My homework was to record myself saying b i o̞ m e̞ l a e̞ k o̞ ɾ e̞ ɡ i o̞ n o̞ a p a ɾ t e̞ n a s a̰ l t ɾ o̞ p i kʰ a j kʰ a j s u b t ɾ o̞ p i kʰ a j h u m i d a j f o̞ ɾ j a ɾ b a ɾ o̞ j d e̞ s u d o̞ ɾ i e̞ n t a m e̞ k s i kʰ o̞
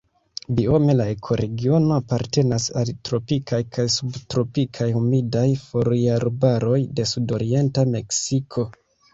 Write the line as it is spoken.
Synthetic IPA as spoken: b i o̞ m e̞ l a e̞ kʰ o̞ ɾ e̞ ɡ i o̞ n o̞ a p a ɾ t e̞ n a s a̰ l t ɾ o̞ p i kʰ a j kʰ a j s u b t ɾ o̞ p i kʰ a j h u m i d a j f o̞ ɾ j a ɾ b a ɾ o̞ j d e̞ s u d o̞ ɾ i e̞ n t a m e̞ k s i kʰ o̞

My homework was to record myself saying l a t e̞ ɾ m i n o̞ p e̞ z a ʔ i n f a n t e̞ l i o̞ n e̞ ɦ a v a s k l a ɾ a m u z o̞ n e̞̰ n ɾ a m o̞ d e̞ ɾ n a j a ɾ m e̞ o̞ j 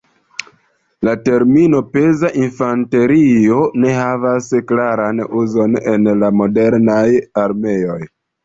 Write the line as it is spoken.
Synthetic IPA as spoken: l a t e̞ ɾ m i n o̞ p e̞ z a ʔ i n f a n t e̞ ɾ i o̞ n e̞ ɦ a v a s k l a ɾ a n u z o̞ n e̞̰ n l a m o̞ d e̞ ɾ n a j a ɾ m e̞ o̞ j

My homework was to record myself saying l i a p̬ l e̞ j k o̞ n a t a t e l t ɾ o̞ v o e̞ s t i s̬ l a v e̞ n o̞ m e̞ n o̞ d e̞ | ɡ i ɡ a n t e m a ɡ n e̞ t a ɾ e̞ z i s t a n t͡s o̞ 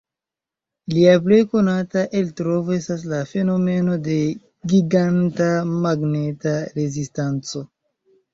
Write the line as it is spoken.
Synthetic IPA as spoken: l i a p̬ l e̞ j k o̞ n a t a ʔ e l t ɾ o̞ v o e̞ s t a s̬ l a f e̞ n o̞ m e̞ n o̞ d e̞ | ɡ i ɡ a n t a m a ɡ n e̞ t a ɾ e̞ z i s t a n t͡s o̞

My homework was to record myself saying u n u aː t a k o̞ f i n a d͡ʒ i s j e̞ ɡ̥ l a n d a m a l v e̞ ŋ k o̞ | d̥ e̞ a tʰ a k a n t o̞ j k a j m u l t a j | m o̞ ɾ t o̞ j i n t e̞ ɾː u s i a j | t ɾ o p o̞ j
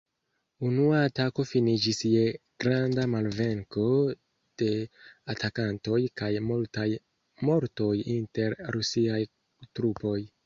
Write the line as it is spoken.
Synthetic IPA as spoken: u n u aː t a k o̞ f i n i d͡ʒ i s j e̞ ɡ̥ ɾ a n d a m a l v e̞ ŋ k o̞ | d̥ e̞ a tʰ a k a n t o̞ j k a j m u l t a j | m o̞ ɾ t o̞ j i n t e̞ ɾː u s i a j | t ɾ u p o̞ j

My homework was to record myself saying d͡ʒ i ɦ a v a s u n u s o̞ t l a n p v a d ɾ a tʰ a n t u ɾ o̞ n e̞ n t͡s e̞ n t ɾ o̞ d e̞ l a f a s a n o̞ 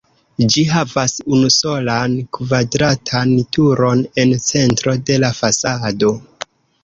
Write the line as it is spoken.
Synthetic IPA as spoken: d͡ʒ i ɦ a v a s u n u s o̞ l a n k v a d ɾ a tʰ a n t u ɾ o̞ n e̞ n t͡s e̞ n t ɾ o̞ d e̞ l a f a s a d o̞

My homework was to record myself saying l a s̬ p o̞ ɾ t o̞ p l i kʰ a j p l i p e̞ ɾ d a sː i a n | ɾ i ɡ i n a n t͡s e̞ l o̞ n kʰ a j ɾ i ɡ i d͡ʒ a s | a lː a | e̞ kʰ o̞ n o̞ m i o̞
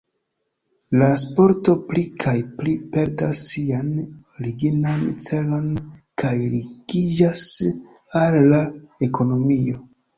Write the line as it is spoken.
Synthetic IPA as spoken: l a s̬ p o̞ ɾ t o̞ p l i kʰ a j p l i p e̞ ɾ d a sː i a n | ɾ i ɡ i n a n t͡s e̞ l o̞ n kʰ a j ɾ i ɡ i d͡ʒ a s | a lː a | e̞ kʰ o̞ n o̞ m i o̞

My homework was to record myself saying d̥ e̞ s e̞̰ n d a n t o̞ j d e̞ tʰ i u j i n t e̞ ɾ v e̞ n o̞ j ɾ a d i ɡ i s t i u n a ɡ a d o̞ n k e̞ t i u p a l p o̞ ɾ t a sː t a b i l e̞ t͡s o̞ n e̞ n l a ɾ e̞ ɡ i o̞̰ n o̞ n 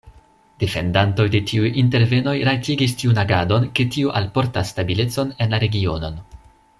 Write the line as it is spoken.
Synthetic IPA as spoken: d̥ e̞ f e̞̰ n d a n t o̞ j d e̞ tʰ i u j i n t e̞ ɾ v e̞ n o̞ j ɾ a t i ɡ i s t i u n a ɡ a d o̞ n k e̞ t i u ʔ a l p o̞ ɾ t a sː t a b i l e̞ t͡s o̞ n e̞ n l a ɾ e̞ ɡ i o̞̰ n o̞ n

